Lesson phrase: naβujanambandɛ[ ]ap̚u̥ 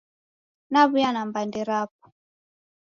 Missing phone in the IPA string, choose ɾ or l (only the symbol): ɾ